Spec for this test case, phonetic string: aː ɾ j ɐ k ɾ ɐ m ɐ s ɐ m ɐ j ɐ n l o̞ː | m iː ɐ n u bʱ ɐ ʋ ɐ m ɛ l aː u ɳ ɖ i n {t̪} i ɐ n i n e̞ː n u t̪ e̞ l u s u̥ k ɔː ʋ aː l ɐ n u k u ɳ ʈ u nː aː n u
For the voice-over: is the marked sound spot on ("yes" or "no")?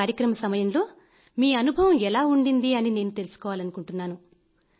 no